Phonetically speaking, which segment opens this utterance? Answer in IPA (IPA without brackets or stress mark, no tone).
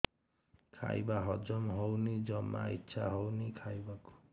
kʰ